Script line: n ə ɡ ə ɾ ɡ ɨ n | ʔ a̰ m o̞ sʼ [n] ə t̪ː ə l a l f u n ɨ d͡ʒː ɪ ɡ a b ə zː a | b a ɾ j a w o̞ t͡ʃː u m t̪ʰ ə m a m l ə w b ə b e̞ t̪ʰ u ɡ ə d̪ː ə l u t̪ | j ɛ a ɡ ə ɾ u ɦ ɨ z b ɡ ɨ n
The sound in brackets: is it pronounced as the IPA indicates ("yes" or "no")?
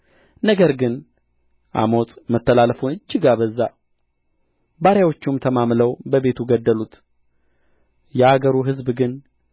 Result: no